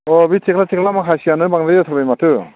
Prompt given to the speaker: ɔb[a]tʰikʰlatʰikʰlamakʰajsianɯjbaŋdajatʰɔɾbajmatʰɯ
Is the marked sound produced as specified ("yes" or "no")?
no